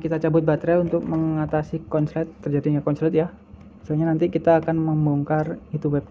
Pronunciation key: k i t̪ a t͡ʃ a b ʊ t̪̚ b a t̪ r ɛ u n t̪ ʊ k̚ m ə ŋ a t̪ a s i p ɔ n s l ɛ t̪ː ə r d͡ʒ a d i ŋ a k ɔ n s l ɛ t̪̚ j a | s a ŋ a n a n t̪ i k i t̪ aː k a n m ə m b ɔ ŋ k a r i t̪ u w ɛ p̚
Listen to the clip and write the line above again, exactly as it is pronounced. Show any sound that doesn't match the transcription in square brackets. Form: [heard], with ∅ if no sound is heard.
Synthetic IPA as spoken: k i t̪ a t͡ʃ a b ʊ t̪̚ b a t̪ [ɾ] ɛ u n t̪ ʊ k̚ m ə ŋ a t̪ a s i [k] ɔ n s l ɛ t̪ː ə r d͡ʒ a d i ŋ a k ɔ n s l ɛ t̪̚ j a | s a [ɲ] a n a n t̪ i k i t̪ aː k a n m ə m b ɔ ŋ k a r i t̪ u w ɛ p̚